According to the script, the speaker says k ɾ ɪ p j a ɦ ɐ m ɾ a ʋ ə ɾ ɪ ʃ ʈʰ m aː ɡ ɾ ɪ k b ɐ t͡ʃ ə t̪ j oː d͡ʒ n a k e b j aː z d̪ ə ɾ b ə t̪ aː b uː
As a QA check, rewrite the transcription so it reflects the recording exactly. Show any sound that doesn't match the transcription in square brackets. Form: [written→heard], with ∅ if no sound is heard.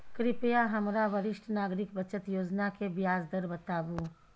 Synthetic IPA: k ɾ ɪ p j a ɦ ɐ m ɾ a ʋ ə ɾ ɪ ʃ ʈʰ [m→n] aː ɡ ɾ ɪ k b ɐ t͡ʃ ə t̪ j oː d͡ʒ n a k e b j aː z d̪ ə ɾ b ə t̪ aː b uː